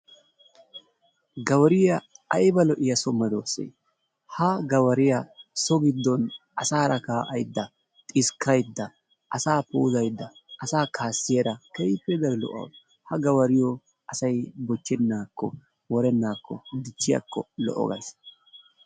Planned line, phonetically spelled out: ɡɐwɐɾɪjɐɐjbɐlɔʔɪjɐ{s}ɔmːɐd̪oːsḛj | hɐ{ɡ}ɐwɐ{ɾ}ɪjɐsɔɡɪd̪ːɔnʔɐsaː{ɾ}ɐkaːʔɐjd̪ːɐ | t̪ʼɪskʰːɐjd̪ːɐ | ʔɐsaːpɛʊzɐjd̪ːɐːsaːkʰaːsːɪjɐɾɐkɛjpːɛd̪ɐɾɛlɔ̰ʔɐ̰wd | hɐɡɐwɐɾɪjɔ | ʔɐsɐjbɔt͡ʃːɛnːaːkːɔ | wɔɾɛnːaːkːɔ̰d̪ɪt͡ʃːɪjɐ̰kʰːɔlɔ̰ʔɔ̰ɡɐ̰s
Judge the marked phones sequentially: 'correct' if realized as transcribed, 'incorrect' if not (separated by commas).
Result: correct, correct, correct, correct